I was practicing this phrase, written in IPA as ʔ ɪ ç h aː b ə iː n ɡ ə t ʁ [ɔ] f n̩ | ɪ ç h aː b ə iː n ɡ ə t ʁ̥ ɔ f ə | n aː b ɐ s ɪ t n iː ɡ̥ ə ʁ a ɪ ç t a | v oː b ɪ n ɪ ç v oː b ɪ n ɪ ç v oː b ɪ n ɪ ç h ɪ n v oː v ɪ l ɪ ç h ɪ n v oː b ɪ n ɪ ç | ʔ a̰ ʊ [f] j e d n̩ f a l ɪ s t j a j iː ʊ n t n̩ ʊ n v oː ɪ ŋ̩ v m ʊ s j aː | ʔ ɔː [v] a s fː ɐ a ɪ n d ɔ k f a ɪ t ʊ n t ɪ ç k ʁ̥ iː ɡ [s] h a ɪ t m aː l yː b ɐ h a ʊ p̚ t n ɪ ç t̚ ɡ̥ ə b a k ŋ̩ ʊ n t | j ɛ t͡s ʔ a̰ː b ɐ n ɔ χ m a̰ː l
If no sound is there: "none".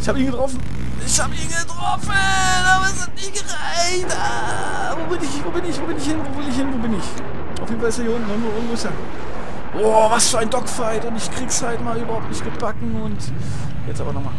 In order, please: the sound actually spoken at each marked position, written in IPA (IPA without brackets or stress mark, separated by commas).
ɔ, f, v, s